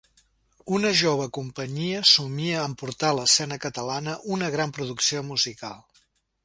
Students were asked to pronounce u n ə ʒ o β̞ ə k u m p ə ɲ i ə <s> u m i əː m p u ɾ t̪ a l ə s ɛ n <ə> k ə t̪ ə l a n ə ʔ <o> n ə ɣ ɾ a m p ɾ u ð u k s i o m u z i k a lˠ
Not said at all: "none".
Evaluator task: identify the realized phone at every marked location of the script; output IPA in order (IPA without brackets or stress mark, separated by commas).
s, ə, u